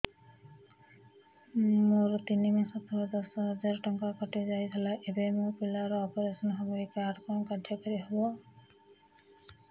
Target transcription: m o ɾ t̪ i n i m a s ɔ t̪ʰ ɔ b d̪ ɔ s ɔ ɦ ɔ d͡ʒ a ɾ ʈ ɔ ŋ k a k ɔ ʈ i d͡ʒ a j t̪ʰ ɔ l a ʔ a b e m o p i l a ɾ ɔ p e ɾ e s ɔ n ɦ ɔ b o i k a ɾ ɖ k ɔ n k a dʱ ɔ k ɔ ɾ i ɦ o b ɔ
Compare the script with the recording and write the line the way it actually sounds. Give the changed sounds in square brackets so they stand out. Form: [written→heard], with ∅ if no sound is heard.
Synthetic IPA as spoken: m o ɾ t̪ i n i m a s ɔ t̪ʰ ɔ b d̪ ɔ s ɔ ɦ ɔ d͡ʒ a ɾ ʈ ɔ ŋ k a k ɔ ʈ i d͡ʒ a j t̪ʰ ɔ l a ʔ [a→e] b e m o p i l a ɾ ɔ p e ɾ e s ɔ n ɦ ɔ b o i k a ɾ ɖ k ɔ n k a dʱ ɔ k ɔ ɾ i ɦ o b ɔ